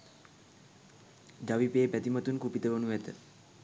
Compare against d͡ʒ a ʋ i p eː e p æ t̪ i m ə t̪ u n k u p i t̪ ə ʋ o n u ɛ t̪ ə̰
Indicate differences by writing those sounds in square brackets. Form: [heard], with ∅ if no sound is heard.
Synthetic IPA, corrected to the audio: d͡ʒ a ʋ i p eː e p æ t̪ i m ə t̪ u n k u p i t̪ ə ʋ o n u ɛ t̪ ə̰